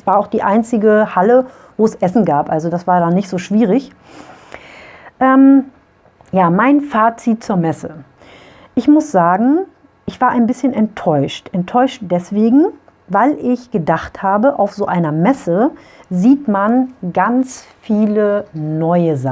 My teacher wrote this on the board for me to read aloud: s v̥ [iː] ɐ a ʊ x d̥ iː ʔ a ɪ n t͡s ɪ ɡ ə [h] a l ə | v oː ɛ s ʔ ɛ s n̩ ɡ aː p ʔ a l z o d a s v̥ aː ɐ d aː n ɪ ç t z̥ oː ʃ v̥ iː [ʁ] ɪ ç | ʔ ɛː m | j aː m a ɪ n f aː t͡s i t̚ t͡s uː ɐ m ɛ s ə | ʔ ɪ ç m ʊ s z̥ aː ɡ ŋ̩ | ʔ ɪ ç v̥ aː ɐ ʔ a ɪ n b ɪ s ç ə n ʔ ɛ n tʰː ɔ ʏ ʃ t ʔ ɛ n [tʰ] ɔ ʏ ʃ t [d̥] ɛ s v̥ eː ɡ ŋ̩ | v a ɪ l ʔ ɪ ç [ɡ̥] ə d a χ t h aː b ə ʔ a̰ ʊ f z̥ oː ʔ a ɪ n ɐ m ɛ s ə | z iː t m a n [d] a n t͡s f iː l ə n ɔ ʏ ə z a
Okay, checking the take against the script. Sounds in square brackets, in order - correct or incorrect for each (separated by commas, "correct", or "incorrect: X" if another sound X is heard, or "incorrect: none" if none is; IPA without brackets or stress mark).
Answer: incorrect: aː, correct, correct, correct, correct, correct, incorrect: ɡ